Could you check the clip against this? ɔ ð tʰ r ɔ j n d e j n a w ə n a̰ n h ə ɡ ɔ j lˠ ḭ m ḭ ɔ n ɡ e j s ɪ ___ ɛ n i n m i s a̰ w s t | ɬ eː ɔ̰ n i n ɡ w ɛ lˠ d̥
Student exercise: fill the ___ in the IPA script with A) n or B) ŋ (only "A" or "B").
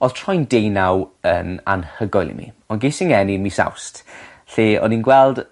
B